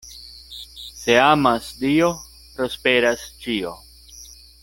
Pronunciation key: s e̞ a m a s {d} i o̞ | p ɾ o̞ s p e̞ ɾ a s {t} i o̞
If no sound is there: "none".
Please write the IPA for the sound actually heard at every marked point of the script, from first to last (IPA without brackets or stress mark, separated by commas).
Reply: d, t͡ʃ